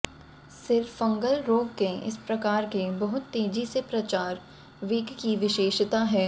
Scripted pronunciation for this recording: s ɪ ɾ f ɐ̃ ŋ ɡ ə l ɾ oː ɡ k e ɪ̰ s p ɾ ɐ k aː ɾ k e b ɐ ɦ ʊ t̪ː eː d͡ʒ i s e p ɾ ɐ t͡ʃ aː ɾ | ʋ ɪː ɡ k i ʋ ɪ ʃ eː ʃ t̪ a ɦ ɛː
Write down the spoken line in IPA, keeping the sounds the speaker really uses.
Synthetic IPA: s ɪ ɾ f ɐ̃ ŋ ɡ ə l ɾ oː ɡ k e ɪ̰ s p ɾ ɐ k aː ɾ k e b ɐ ɦ ʊ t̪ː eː d͡ʒ i s e p ɾ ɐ t͡ʃ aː ɾ | ʋ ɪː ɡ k i ʋ ɪ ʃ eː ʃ t̪ a ɦ ɛː